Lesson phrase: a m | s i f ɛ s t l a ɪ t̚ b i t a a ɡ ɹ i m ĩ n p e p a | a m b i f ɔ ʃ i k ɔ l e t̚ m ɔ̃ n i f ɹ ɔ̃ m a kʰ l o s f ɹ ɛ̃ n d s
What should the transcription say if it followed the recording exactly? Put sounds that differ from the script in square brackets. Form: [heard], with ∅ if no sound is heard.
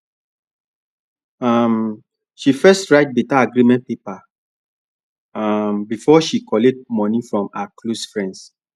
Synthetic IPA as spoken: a m | [ʃ] i f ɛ s t [ɹ] a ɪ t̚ b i t a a ɡ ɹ i m [ɛ̃] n p e p a | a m b i f ɔ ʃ i k ɔ l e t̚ m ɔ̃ n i f ɹ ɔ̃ m a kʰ l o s f ɹ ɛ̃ n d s